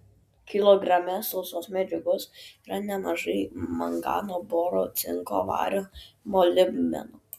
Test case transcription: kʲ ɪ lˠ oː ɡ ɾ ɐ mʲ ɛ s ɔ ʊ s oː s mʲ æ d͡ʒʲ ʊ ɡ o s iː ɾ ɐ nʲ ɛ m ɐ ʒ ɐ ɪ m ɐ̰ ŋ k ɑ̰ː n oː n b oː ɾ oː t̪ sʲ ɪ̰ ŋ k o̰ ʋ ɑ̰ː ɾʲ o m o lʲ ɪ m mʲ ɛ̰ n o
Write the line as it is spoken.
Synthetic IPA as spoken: kʲ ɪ lˠ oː ɡ ɾ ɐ mʲ ɛ s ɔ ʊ s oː s mʲ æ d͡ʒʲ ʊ ɡ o s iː ɾ ɐ nʲ ɛ m ɐ ʒ ɐ ɪ m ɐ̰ ŋ ɡ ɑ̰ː n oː b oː ɾ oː t̪ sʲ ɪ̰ ŋ k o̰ ʋ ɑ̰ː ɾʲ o m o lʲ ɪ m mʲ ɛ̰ n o